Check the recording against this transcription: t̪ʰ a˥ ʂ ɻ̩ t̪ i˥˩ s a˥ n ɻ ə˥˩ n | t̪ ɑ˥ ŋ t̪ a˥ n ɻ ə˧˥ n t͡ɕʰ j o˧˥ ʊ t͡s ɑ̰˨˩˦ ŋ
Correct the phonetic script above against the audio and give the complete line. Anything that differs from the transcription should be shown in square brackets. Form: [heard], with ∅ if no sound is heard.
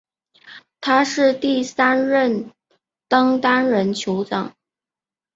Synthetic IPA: t̪ʰ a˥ ʂ ɻ̩ t̪ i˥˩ s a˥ n ɻ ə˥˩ n | t̪ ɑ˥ ŋ t̪ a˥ n ɻ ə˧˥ n t͡ɕʰ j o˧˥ ʊ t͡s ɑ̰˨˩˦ ŋ